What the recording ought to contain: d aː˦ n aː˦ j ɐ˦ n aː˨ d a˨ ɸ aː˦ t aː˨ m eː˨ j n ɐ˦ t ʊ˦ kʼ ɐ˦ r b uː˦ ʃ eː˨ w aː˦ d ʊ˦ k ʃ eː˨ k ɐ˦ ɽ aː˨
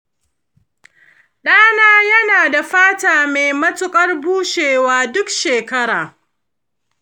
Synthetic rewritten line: ɗ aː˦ n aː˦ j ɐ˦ n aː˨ d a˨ ɸ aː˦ t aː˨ m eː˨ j m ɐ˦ t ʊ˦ kʼ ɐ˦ r b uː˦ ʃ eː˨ w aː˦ d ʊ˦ k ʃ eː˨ k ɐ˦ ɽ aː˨

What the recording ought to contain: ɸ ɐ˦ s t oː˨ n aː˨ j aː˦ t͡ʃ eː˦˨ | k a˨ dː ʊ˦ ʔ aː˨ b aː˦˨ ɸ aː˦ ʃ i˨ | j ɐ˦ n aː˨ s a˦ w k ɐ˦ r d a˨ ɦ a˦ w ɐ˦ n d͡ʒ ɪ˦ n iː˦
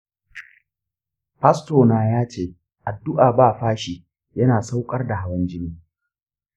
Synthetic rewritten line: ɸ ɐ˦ s t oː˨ n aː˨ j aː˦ t͡ʃ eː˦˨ | ʔ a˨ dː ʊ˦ ʔ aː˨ b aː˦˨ ɸ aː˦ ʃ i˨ | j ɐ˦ n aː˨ s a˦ w kʼ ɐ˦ r d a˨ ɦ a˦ w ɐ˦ n d͡ʒ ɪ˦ n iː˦

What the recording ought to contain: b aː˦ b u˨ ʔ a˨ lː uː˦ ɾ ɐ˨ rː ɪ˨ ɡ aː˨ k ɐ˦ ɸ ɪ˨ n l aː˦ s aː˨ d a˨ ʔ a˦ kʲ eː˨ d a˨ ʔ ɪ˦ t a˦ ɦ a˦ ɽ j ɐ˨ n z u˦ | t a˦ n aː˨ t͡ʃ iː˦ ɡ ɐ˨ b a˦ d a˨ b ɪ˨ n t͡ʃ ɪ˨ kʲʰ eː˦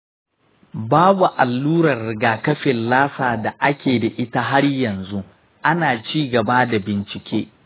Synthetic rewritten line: b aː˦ b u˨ ʔ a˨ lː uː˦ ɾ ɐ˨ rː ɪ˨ ɡ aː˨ k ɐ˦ ɸ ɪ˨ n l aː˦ s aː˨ d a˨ ʔ a˦ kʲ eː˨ d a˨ ʔ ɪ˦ t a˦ ɦ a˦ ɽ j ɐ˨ n z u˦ | ʔ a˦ n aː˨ t͡ʃ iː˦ ɡ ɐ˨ b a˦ d a˨ b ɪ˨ n t͡ʃ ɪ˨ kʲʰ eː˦

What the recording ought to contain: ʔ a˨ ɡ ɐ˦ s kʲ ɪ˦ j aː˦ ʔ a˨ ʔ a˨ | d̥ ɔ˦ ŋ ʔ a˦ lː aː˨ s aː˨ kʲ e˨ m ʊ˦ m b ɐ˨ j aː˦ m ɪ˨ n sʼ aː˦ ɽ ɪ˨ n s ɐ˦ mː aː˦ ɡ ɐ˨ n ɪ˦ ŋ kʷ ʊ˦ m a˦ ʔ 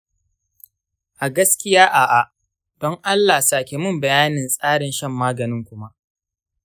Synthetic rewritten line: ʔ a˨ ɡ ɐ˦ s kʲ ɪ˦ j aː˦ ʔ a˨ ʔ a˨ | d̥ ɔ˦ ŋ ʔ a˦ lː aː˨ s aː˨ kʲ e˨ m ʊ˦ m b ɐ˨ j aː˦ n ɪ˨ n sʼ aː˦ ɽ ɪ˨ n ʃ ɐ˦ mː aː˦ ɡ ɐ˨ n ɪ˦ ŋ kʷ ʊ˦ m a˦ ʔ

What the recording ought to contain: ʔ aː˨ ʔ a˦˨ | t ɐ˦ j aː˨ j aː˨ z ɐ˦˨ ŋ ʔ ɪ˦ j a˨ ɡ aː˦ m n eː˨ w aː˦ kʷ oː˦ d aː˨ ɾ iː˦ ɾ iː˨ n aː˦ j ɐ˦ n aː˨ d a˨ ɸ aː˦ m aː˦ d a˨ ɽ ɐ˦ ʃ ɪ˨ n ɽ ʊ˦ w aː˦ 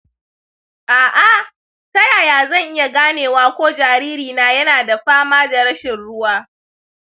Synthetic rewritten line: ʔ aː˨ ʔ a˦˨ | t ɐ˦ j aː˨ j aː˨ z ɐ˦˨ ŋ ʔ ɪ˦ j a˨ ɡ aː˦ n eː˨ w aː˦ kʷ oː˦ d͡ʒ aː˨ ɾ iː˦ ɾ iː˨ n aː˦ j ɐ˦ n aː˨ d a˨ ɸ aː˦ m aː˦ d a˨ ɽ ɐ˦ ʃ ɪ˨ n ɽ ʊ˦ w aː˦

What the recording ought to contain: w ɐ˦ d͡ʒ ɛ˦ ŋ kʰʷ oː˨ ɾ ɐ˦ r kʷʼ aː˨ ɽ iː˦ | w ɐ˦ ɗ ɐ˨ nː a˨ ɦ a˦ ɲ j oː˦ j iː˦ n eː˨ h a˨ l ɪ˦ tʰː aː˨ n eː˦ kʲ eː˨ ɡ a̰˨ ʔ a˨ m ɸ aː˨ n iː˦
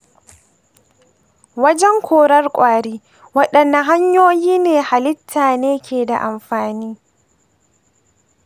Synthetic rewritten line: w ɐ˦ d͡ʒ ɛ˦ ŋ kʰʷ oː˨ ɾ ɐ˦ r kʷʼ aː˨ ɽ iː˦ | w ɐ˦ ɗ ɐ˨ nː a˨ ɦ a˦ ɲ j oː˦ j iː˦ n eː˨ h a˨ l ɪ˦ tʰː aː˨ n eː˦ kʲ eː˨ d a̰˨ ʔ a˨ m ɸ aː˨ n iː˦

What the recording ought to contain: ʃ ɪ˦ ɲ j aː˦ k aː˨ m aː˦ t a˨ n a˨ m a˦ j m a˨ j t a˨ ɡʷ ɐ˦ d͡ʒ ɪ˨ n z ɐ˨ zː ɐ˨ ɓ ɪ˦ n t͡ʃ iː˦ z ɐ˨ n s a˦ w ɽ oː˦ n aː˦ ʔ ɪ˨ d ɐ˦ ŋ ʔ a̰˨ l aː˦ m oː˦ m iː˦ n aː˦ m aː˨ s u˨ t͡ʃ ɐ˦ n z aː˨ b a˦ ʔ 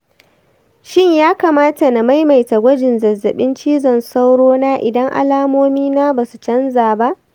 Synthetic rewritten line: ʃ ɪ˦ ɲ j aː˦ k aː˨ m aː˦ t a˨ n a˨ m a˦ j m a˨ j t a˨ ɡʷ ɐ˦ d͡ʒ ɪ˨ n z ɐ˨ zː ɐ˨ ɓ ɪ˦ n t͡ʃ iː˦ z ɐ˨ n s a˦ w ɽ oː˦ n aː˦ ʔ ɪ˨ d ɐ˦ ŋ ʔ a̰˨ l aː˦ m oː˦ m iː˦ n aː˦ b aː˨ s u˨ t͡ʃ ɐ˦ n z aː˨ b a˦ ʔ

